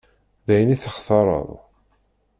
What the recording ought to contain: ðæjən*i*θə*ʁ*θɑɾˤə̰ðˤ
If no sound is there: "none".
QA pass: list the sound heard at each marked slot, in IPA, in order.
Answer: i, χ

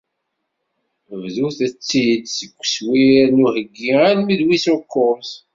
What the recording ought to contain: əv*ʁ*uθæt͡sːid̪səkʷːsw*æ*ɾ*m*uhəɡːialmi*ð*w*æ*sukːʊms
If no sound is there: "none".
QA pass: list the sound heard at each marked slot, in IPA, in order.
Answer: ð, i, n, ð, i

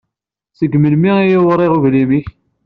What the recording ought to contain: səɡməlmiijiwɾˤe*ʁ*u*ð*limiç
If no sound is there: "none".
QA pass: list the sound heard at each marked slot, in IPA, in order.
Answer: ʁ, v

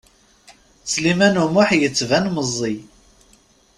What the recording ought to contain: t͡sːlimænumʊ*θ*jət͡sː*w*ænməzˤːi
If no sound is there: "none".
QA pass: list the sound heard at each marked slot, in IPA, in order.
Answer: ħ, v

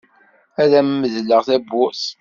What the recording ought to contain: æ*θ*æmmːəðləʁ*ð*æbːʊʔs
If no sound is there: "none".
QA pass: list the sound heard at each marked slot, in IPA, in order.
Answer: ð, θ

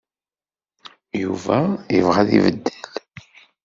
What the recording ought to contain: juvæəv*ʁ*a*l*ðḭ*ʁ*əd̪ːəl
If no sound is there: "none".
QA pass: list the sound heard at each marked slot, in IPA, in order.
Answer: ʁ, none, v

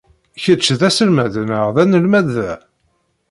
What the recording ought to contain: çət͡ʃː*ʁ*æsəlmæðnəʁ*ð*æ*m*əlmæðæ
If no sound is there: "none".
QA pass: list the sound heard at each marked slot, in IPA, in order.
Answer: ð, ð, n

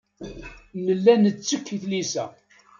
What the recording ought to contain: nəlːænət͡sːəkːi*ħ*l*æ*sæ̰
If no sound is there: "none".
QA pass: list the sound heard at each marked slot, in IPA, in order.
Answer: θ, i

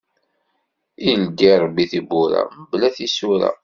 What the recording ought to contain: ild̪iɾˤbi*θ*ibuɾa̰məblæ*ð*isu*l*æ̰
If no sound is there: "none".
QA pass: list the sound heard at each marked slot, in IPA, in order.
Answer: θ, θ, ɾ

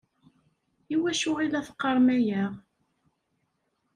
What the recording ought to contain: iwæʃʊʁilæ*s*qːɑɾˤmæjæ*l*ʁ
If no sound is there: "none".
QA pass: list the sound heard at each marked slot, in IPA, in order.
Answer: θ, none

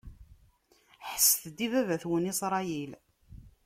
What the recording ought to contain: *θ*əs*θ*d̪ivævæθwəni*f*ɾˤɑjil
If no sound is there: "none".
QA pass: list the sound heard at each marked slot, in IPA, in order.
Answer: ħ, θ, s

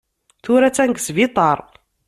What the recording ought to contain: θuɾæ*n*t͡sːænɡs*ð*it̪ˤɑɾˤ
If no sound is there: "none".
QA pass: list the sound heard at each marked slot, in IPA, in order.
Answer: none, v

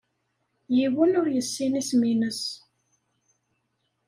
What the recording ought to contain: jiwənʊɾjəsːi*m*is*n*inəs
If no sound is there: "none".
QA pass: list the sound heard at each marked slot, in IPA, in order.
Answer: n, m

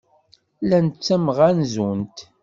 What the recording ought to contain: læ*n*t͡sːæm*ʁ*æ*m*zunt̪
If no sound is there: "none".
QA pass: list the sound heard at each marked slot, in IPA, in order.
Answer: n, ʁ, n

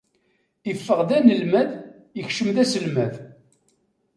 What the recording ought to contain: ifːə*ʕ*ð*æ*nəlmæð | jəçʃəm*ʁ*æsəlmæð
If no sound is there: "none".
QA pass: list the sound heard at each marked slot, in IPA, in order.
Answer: ʁ, æ, ð

